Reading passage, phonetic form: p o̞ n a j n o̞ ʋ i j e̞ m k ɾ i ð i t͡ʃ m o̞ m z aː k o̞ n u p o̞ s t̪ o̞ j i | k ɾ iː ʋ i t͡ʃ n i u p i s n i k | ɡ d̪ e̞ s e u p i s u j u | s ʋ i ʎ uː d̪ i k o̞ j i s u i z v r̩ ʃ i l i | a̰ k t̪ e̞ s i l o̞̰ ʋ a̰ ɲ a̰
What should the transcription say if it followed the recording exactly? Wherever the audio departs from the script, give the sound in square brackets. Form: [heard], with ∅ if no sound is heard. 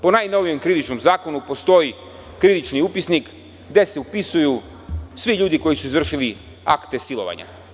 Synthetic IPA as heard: p o̞ n a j n o̞ ʋ i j e̞ m k ɾ i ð i t͡ʃ [n] o̞ m z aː k o̞ n u p o̞ s t̪ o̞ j i | k ɾ [i] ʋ i t͡ʃ n i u p i s n i k | ɡ d̪ e̞ s e u p i s u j u | s ʋ i ʎ uː d̪ i k o̞ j i s u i z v r̩ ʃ i l i | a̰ k t̪ e̞ s i l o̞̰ ʋ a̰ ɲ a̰

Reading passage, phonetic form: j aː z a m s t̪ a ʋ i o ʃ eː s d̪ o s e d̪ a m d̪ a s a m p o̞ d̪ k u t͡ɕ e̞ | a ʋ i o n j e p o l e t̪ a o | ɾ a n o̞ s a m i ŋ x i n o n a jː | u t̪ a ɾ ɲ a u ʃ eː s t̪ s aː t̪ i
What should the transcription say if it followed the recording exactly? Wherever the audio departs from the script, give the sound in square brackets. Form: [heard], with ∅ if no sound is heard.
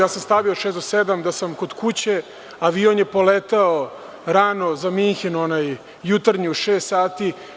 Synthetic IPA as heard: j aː [s] a m s t̪ a ʋ i o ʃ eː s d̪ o s e d̪ a m d̪ a s a m [k] o̞ d̪ k u t͡ɕ e̞ | a ʋ i o n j e p o l e t̪ a o | ɾ a n o̞ [z] a m i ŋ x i n o n a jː | u t̪ a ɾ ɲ [i] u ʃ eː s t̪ s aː t̪ i

